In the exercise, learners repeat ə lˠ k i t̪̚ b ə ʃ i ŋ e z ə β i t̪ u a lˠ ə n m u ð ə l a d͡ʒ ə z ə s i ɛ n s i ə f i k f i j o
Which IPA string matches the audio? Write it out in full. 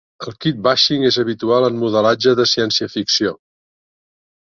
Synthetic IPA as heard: ə lˠ k i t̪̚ b a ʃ i ŋ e z ə β i t̪ u a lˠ ə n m u ð ə l a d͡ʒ ə ð ə s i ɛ n s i ə f i k s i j o